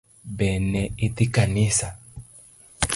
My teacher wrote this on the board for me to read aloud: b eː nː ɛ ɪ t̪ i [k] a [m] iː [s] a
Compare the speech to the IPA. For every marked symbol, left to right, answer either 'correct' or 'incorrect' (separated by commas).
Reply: correct, incorrect, correct